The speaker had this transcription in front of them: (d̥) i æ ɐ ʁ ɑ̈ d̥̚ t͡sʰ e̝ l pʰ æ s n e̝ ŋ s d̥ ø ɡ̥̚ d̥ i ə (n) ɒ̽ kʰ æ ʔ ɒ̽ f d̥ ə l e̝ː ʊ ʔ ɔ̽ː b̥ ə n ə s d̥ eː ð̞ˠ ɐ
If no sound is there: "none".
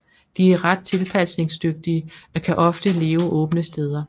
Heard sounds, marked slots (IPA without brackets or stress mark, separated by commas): d̥, none